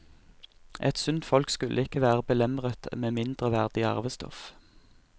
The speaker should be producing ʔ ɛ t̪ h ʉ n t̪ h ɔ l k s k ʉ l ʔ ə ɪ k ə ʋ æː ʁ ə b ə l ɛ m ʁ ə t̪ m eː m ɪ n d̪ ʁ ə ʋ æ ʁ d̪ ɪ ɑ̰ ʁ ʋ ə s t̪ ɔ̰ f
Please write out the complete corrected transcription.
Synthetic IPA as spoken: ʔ ɛ t̪ s ʉ n t̪ f ɔ l k s k ʉ l ʔ ə ɪ k ə ʋ æː ʁ ə b ə l ɛ m ʁ ə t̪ m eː m ɪ n d̪ ʁ ə ʋ æ ʁ d̪ ɪ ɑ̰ ʁ ʋ ə s t̪ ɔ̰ f